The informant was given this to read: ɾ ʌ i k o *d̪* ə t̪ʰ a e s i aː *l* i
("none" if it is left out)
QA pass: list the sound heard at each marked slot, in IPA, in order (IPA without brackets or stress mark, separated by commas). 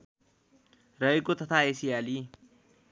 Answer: t̪, l